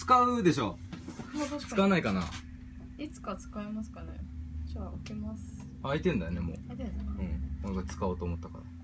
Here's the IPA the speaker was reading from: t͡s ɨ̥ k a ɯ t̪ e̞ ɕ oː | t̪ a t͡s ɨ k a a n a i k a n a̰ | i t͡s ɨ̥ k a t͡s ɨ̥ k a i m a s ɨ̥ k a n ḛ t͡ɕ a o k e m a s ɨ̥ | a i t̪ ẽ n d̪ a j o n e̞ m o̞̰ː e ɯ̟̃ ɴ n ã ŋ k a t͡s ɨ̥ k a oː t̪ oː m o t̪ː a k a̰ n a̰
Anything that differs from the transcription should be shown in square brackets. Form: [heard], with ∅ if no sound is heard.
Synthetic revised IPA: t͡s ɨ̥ k a ɯ [d̪] e̞ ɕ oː | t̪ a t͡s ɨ k a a n a i k a n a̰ | i t͡s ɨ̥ k a t͡s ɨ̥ k a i m a s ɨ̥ k a n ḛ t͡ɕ a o k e m a s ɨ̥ | a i t̪ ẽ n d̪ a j o n e̞ m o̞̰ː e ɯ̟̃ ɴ n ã ŋ k a t͡s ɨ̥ k a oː t̪ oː m o t̪ː a k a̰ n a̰